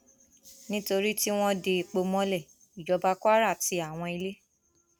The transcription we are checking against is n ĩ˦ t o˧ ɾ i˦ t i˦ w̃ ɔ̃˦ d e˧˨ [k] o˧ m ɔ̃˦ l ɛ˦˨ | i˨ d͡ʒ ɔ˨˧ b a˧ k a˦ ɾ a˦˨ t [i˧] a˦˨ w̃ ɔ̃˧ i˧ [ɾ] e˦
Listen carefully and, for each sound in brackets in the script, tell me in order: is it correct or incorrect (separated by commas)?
incorrect, correct, incorrect